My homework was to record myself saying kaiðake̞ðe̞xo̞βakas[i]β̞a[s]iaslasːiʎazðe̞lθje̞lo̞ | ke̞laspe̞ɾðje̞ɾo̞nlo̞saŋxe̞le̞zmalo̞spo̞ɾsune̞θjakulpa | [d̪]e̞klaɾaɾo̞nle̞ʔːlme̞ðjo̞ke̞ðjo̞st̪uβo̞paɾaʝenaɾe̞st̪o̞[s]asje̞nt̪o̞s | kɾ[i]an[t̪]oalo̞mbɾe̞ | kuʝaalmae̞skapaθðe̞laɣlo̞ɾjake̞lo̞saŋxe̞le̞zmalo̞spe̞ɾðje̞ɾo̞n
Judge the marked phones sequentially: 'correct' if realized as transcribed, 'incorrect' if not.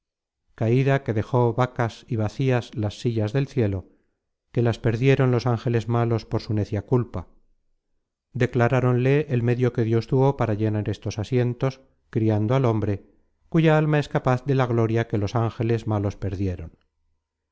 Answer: correct, incorrect: θ, correct, correct, correct, incorrect: d̪

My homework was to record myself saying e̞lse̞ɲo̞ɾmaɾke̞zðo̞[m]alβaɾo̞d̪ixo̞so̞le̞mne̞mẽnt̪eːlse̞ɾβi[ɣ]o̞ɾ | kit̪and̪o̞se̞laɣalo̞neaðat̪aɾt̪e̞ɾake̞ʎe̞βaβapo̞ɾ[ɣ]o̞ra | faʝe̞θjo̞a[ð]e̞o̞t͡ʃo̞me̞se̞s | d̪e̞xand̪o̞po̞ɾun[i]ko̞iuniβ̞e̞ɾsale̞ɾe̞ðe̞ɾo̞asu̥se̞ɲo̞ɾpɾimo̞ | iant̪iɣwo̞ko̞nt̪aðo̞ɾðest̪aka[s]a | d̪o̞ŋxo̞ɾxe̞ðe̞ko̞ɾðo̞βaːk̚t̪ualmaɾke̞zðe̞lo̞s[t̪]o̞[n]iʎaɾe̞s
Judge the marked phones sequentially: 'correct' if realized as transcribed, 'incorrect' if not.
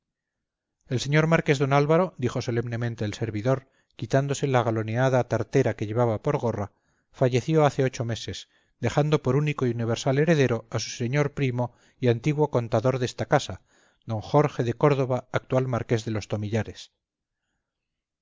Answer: incorrect: n, incorrect: ð, correct, incorrect: θ, correct, correct, correct, incorrect: m

